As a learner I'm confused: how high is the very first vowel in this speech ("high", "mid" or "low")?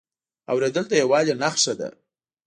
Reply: low